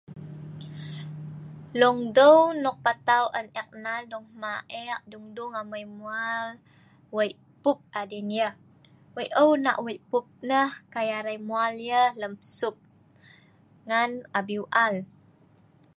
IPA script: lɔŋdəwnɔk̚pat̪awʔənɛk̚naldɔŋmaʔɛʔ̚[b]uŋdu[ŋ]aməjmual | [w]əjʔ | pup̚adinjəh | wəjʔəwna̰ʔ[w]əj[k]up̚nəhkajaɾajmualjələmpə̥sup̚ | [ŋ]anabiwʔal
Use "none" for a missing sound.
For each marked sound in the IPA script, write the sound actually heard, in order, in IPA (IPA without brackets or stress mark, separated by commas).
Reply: d, ŋ, w, w, p, ŋ